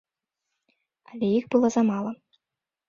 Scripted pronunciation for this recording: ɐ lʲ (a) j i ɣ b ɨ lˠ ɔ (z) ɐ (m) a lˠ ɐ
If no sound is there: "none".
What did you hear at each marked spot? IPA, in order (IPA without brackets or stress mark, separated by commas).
ɛ, z, m